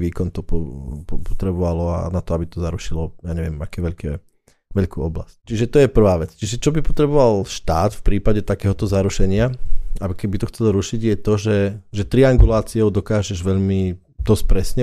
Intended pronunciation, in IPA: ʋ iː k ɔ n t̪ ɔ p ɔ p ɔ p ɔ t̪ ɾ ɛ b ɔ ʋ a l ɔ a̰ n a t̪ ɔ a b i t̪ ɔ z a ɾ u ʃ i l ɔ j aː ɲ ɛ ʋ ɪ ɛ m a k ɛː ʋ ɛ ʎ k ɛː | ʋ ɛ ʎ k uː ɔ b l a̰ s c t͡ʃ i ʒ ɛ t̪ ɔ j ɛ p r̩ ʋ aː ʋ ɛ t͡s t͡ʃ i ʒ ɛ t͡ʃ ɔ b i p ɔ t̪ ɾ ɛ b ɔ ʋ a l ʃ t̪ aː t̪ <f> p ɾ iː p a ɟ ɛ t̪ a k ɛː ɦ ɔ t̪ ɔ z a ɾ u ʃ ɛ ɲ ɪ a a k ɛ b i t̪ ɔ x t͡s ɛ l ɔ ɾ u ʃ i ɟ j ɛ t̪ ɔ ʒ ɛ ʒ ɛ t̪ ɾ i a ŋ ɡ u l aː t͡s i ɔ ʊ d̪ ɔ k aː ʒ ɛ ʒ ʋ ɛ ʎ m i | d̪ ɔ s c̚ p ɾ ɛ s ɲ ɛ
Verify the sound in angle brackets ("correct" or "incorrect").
correct